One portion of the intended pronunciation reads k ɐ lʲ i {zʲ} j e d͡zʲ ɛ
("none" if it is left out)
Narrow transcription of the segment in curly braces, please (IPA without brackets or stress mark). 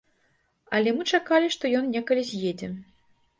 zʲ